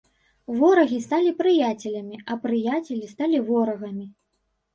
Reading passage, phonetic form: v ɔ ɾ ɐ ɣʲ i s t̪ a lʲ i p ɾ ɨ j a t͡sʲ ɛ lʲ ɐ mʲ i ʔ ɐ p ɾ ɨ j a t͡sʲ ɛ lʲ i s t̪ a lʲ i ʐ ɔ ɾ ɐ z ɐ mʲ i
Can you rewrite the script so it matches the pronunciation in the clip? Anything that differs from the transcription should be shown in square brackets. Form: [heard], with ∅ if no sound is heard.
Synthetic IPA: v ɔ ɾ ɐ ɣʲ i s t̪ a lʲ i p ɾ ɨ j a t͡sʲ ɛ lʲ ɐ mʲ i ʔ ɐ p ɾ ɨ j a t͡sʲ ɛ lʲ i s t̪ a lʲ i [v] ɔ ɾ ɐ [ɣ] ɐ mʲ i